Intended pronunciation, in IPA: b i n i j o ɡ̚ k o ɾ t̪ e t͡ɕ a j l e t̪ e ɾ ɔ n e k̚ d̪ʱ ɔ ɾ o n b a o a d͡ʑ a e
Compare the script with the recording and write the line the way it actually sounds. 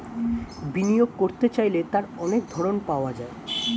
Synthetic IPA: b i n i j o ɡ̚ k o ɾ t̪ e t͡ɕ a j l e t̪ a ɾ ɔ n e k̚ d̪ʱ ɔ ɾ o n p a o a d͡ʑ a e